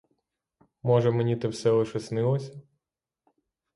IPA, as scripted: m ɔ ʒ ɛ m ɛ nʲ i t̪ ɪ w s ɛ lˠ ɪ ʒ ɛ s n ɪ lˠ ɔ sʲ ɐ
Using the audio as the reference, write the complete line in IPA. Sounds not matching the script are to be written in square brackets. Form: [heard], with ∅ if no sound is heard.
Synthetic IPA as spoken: m ɔ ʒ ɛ m [e] nʲ i t̪ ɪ w s ɛ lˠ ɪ [ʃ] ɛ s n ɪ lˠ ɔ sʲ ɐ

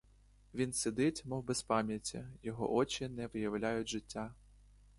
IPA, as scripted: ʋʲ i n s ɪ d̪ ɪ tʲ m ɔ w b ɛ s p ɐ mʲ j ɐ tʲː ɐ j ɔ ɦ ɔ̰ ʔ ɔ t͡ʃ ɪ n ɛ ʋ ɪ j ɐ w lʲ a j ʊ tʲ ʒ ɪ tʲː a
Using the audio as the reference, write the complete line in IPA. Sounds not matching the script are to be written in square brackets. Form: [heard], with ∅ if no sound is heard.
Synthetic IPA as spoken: ʋʲ i n s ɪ d̪ ɪ tʲ m ɔ w b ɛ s p [ɑ] mʲ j ɐ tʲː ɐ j ɔ ɦ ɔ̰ ʔ ɔ t͡ʃ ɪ n ɛ ʋ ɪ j ɐ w lʲ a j ʊ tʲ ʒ ɪ tʲː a

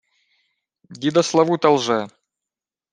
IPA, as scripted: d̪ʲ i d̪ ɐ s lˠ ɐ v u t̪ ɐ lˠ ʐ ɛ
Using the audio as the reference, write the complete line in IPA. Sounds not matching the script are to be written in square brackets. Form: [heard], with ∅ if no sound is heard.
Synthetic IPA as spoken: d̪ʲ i d̪ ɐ s lˠ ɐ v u t̪ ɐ lˠ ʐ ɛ

